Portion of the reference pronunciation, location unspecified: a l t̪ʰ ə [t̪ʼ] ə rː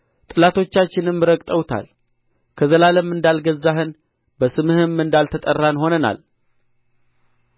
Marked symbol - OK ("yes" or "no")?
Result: yes